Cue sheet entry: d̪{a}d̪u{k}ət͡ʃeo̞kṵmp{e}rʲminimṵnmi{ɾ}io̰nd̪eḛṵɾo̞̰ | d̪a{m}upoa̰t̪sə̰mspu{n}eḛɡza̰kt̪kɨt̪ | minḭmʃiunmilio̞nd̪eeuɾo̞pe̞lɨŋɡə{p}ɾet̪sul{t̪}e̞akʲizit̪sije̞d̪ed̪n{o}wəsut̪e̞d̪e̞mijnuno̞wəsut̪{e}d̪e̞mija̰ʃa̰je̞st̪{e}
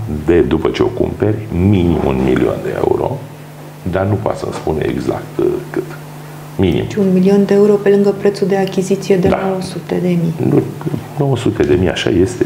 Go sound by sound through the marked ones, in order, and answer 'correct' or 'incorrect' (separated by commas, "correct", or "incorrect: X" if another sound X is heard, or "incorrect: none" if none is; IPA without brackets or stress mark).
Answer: incorrect: e, incorrect: p, correct, incorrect: l, incorrect: n, correct, correct, incorrect: d̪, correct, correct, correct